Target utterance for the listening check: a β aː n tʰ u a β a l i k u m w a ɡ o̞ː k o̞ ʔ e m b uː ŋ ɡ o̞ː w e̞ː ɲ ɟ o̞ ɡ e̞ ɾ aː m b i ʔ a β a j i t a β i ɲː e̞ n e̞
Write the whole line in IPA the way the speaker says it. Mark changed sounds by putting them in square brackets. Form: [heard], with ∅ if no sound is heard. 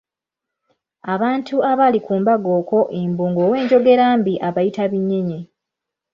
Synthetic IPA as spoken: a β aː n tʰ u a β a l i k [uː] m [b] a ɡ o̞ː k o̞ ʔ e m b uː ŋ ɡ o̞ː w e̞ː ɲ ɟ o̞ ɡ e̞ ɾ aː m b i ʔ a β a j i t a β i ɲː e̞ [ɲ] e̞